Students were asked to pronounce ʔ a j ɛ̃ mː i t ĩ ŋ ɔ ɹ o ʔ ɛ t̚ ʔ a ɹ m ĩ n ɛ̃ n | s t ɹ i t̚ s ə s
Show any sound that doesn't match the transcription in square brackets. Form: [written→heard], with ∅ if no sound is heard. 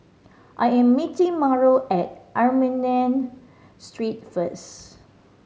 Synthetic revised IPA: ʔ a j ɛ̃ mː i t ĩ [ŋ→m] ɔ ɹ o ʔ ɛ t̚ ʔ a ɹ m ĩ n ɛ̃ n | s t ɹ i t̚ [s→f] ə s